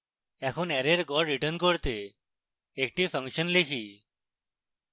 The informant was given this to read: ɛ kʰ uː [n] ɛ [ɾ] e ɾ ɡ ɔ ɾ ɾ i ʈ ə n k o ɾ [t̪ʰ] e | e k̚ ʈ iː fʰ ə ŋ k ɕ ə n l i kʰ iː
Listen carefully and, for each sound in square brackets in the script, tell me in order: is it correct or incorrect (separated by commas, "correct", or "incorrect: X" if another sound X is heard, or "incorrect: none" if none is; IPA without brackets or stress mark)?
correct, correct, incorrect: t̪